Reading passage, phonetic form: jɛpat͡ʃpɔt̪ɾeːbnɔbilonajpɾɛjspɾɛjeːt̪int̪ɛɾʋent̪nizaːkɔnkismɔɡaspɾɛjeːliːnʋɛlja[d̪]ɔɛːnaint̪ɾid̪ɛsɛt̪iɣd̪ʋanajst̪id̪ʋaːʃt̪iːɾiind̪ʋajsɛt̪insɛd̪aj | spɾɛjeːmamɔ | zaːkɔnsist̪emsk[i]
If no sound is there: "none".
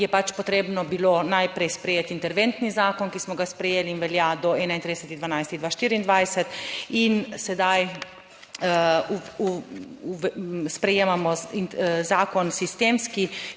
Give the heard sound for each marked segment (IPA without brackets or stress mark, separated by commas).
d̪, i